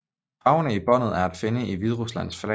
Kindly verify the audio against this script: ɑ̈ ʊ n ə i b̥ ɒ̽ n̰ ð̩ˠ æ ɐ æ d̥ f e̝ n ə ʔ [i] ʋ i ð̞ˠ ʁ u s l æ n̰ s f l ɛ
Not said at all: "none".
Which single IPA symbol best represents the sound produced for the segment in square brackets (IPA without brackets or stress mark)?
i